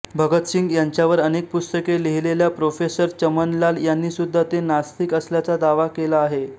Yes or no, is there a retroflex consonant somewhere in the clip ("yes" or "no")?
no